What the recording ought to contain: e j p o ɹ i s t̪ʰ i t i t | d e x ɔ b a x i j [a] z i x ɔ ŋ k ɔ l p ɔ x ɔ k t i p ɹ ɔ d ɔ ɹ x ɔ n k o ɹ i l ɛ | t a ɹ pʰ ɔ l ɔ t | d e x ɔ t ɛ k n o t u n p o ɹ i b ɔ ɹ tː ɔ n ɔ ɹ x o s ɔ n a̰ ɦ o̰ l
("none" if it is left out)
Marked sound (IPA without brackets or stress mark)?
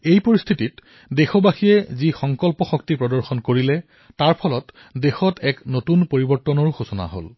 ɛ